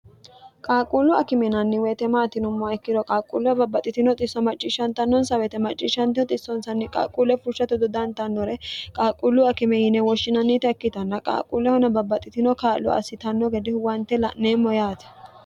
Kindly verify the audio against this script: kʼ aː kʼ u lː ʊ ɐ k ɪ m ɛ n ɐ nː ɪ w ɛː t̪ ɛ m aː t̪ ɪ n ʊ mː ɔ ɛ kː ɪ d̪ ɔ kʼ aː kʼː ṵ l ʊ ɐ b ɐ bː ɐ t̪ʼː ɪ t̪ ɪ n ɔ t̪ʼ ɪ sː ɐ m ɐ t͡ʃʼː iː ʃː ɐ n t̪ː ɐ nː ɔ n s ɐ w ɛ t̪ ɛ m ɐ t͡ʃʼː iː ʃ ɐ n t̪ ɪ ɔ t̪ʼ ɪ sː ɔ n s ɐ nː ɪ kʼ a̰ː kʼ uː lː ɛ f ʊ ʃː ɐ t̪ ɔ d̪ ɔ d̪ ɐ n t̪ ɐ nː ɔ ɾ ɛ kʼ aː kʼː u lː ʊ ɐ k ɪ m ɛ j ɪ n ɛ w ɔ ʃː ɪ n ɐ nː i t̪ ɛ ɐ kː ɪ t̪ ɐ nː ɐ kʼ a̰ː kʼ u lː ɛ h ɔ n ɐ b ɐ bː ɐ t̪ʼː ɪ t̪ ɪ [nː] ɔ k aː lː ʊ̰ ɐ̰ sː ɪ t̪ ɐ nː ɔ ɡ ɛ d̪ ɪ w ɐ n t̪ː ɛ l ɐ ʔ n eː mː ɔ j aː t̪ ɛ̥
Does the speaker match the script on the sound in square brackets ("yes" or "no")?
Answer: no